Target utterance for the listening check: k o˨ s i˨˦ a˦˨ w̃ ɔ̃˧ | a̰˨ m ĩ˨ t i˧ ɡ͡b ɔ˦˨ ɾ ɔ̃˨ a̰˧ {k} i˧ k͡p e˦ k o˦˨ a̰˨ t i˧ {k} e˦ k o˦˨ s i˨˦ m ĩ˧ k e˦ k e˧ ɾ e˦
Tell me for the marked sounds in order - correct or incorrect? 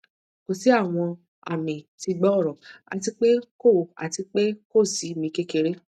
incorrect: t, incorrect: k͡p

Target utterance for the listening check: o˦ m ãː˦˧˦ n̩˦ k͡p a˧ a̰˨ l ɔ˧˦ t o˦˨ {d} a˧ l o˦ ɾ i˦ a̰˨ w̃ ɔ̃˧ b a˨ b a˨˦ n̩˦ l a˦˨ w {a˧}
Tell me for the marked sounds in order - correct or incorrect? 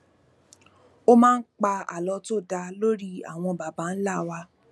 correct, correct

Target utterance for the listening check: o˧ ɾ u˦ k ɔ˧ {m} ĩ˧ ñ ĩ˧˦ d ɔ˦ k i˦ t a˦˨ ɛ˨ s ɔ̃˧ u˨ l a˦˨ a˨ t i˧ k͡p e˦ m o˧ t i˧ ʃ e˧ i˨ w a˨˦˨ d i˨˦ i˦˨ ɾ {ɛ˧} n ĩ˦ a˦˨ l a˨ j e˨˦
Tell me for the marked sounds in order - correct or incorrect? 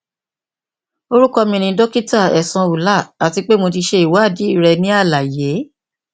correct, correct

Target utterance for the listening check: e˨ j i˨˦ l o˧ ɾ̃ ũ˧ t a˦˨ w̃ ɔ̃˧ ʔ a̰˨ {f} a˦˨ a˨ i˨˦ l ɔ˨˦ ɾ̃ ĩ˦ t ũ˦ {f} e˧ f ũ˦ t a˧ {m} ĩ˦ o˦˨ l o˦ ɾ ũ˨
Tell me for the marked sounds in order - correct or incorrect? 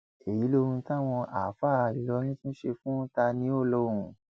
correct, incorrect: ʃ, incorrect: n

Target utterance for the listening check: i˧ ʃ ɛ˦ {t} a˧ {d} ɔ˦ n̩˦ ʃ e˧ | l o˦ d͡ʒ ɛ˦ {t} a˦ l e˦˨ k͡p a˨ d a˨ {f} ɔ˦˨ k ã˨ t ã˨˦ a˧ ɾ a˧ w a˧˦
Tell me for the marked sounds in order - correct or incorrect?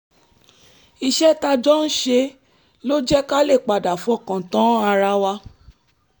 correct, incorrect: d͡ʒ, incorrect: k, correct

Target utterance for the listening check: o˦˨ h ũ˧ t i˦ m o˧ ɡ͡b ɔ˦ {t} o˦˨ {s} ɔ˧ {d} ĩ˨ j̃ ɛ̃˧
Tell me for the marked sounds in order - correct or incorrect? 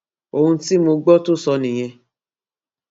correct, correct, incorrect: n

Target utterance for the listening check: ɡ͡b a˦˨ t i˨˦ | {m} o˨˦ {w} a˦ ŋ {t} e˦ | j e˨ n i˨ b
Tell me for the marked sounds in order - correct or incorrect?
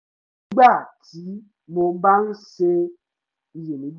correct, incorrect: b, incorrect: s

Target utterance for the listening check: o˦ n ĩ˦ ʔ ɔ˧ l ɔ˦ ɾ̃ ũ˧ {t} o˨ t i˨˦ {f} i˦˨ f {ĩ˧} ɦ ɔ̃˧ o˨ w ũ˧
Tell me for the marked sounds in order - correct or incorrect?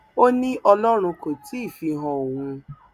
incorrect: k, incorrect: none, incorrect: i˧

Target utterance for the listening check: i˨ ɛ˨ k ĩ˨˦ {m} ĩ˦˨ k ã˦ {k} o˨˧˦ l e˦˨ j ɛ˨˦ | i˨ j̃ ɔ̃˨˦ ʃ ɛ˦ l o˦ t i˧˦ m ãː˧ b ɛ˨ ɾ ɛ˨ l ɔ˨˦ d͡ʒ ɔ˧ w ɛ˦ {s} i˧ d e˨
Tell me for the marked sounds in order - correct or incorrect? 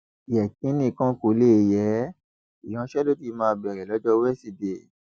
incorrect: n, correct, correct

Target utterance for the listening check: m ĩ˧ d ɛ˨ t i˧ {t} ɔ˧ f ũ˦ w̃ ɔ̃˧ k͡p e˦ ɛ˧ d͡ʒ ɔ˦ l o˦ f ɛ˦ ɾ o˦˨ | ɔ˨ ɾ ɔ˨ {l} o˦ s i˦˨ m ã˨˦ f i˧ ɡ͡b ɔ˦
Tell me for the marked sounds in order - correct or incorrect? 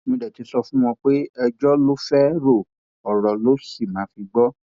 incorrect: s, correct

